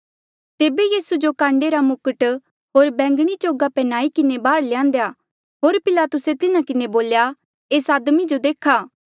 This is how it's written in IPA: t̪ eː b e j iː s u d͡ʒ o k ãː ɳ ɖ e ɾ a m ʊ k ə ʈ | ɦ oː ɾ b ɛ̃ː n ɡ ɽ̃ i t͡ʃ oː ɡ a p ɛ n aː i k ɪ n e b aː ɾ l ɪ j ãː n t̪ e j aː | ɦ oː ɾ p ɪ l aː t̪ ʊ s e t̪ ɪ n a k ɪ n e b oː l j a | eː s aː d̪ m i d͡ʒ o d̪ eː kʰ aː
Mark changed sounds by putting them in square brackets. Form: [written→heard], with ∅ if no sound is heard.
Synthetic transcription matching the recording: t̪ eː b e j iː s u d͡ʒ o k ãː ɳ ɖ e ɾ a m ʊ k ə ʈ | ɦ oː ɾ b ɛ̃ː [n→ŋ] ɡ ɽ̃ i t͡ʃ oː ɡ a p ɛ n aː i k ɪ n e b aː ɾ l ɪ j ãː n [t̪→d̪] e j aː | ɦ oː ɾ p ɪ l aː t̪ ʊ s e t̪ ɪ n a k ɪ n e b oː l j a | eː s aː d̪ m i d͡ʒ o d̪ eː kʰ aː